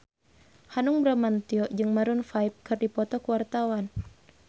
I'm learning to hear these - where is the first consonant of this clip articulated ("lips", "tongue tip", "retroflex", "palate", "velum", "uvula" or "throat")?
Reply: throat